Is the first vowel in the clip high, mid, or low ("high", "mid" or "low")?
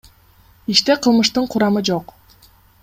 high